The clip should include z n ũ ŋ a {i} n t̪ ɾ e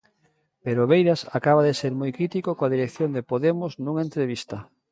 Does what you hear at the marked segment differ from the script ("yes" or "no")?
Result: yes